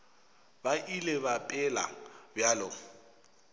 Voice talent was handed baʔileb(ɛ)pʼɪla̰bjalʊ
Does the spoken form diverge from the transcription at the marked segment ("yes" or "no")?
yes